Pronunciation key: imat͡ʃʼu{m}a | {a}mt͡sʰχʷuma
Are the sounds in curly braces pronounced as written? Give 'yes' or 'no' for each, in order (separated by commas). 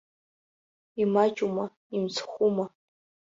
yes, no